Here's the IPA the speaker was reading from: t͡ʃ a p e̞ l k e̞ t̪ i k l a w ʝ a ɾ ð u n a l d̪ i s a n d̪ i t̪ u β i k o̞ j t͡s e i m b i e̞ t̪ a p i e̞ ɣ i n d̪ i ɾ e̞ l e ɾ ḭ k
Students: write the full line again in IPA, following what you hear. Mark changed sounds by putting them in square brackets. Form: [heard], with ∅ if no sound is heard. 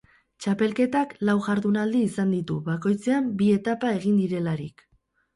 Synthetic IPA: t͡ʃ a p e̞ l k e̞ t̪ [a] k l a w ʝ a ɾ ð u n a l d̪ [iː] s a n d̪ i t̪ u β [a] k o̞ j t͡s e [a] m b i e̞ t̪ a p [a] e̞ ɣ i n d̪ i ɾ e̞ l [a] ɾ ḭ k